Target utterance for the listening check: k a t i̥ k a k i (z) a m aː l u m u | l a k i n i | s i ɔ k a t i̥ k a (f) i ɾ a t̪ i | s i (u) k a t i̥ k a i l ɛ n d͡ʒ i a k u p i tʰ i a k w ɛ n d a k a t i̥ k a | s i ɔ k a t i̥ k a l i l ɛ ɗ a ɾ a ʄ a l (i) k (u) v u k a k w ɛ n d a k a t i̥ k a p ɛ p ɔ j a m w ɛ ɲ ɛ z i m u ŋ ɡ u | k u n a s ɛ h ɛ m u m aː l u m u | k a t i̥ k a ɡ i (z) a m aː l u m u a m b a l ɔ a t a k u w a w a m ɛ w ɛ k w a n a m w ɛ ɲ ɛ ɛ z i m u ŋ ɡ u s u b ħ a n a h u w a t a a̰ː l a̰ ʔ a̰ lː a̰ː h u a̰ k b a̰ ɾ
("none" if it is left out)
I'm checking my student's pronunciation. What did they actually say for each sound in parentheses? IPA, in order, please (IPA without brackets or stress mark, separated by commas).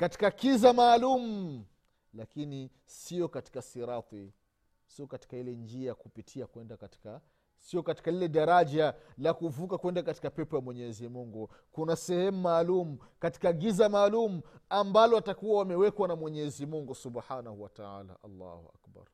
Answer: z, s, ɔ, a, u, z